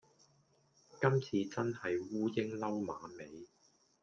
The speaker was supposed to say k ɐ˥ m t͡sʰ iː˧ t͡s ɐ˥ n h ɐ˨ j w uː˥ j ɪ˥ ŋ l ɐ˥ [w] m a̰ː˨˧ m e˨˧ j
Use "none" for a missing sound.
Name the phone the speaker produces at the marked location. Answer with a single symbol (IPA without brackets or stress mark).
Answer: w